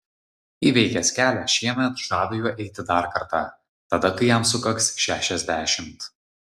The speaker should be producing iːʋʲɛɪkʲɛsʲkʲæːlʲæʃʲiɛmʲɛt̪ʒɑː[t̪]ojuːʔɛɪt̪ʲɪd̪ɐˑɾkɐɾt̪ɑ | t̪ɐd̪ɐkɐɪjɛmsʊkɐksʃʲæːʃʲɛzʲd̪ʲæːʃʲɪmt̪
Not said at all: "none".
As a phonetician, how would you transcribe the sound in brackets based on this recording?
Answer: d̪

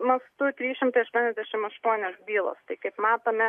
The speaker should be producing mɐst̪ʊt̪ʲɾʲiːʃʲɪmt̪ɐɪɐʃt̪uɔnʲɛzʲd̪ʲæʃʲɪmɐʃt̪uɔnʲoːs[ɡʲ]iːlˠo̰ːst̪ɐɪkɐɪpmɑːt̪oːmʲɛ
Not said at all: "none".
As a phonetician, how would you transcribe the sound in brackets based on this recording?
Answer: bʲ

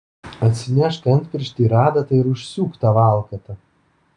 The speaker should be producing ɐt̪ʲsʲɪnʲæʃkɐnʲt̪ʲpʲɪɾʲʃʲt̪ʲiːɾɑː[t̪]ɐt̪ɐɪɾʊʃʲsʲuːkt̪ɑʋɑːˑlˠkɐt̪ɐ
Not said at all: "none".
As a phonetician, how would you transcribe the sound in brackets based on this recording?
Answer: d̪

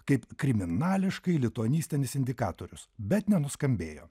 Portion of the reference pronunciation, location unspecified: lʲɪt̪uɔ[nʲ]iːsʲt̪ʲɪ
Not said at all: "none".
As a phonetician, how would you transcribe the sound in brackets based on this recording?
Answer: nʲ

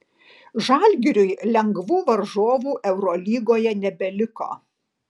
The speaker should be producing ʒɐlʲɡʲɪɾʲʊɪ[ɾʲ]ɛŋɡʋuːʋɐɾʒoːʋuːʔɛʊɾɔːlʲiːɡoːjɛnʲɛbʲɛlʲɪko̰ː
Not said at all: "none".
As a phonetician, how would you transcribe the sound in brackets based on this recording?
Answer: lʲ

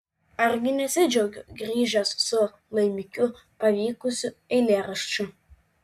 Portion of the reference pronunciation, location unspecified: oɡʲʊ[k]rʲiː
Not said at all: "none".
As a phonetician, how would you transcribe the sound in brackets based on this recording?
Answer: ɡ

